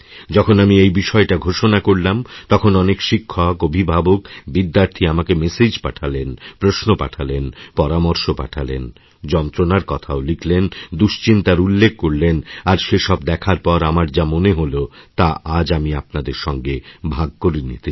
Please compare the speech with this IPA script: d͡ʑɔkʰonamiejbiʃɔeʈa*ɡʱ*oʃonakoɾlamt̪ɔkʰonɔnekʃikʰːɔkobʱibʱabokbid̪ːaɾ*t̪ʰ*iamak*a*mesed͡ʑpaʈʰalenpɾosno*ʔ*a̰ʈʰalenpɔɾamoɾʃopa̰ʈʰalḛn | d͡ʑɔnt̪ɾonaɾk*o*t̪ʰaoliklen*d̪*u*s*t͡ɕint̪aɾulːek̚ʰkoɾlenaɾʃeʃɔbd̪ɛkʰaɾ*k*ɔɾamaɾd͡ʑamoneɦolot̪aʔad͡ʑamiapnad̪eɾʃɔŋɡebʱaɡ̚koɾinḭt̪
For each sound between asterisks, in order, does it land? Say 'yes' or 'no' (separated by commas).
yes, yes, no, no, no, yes, no, no